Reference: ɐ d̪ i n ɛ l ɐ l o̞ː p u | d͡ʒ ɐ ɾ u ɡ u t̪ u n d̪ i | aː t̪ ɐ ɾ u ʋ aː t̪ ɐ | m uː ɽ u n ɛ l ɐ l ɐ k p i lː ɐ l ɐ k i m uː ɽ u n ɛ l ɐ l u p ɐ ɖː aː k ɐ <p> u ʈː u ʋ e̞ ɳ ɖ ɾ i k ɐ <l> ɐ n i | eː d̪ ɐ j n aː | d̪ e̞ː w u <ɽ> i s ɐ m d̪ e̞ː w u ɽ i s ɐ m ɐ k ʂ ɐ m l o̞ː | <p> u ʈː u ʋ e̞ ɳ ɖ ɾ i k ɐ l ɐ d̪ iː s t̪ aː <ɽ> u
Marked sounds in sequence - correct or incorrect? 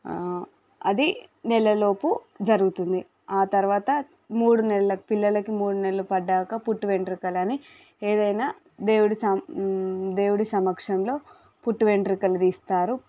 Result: correct, correct, correct, correct, incorrect: ɾ

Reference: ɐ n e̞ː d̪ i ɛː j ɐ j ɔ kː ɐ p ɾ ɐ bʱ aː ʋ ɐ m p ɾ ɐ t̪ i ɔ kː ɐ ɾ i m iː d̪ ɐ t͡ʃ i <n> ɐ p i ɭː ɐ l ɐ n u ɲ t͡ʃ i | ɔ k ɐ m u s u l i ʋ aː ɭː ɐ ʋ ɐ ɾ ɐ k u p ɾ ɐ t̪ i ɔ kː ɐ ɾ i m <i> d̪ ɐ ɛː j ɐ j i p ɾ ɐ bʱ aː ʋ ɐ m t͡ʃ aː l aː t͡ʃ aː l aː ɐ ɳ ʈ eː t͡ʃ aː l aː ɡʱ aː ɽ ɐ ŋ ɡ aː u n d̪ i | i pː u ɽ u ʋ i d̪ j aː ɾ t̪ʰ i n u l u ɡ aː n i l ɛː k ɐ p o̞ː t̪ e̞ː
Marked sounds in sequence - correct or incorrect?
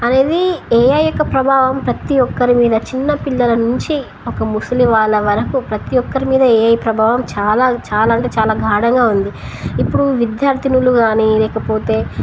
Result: incorrect: nː, incorrect: iː

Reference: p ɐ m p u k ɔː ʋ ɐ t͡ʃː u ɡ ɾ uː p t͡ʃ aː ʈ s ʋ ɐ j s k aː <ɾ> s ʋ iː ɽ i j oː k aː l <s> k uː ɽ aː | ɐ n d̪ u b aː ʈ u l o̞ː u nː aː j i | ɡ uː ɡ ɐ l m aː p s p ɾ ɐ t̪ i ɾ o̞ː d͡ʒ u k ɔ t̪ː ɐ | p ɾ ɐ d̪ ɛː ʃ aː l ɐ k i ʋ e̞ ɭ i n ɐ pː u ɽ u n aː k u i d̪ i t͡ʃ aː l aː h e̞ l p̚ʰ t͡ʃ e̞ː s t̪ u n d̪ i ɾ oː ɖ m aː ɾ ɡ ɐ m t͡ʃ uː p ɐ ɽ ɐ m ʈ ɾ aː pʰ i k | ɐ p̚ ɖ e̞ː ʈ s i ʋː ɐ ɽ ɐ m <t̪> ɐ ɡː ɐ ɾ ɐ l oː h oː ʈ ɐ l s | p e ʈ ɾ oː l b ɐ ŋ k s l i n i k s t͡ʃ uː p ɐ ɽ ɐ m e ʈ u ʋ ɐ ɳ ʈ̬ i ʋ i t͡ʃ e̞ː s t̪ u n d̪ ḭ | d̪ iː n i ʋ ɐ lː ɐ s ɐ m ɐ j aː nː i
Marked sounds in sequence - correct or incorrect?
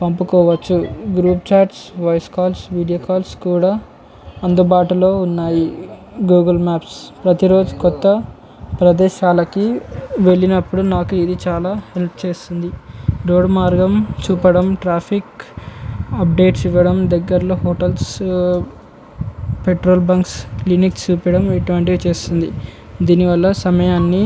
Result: incorrect: l, correct, incorrect: d̪

